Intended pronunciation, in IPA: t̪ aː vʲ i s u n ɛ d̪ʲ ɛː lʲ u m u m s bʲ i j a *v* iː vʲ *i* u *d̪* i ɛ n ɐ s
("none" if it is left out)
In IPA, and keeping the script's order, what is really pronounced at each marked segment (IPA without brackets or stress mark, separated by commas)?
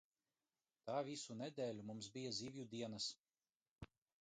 z, j, d̪